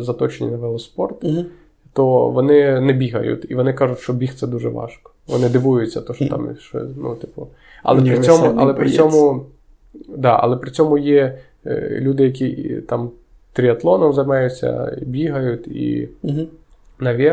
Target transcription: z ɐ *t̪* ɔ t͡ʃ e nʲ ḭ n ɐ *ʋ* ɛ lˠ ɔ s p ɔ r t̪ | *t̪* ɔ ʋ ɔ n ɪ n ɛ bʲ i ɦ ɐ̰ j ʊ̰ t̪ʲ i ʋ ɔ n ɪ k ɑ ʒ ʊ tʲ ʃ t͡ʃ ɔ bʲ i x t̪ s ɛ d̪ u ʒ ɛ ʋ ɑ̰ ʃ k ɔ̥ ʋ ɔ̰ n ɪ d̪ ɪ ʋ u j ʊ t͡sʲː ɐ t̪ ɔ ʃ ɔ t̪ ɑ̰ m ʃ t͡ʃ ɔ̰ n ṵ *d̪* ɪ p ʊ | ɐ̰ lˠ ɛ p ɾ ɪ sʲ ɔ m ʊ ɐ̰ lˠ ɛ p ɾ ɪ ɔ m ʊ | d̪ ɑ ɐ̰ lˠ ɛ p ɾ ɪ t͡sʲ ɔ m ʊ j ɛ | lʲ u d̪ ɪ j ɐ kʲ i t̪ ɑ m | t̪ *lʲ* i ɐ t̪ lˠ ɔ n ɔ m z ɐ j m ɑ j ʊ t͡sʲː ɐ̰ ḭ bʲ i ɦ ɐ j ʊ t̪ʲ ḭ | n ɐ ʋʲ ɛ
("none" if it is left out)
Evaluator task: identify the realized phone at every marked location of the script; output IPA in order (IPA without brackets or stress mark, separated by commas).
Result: t̪, ʋ, t̪, t̪, ɾʲ